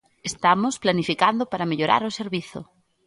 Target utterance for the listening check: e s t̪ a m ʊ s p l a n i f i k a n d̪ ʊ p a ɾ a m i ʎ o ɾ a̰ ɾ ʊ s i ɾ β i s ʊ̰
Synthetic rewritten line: e s t̪ a m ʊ s p l a n i f i k a n d̪ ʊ p a ɾ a m e ʎ o ɾ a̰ ɾ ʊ s e ɾ β i θ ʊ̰